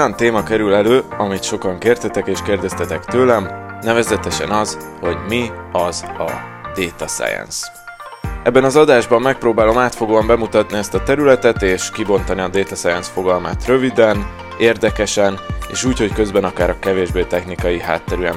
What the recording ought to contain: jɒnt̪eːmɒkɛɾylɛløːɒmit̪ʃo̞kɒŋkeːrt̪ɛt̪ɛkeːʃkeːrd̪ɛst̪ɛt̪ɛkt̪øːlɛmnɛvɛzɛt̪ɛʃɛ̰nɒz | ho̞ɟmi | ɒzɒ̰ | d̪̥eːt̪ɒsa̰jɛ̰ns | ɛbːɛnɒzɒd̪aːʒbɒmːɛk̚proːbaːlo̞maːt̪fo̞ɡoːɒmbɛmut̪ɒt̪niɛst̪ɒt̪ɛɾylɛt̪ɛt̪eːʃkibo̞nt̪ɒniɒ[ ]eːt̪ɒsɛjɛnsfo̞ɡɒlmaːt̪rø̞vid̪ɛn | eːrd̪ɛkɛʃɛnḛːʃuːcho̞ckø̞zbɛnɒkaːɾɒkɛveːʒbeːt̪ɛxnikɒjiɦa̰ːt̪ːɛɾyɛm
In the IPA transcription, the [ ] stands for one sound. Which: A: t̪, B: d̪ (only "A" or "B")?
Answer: B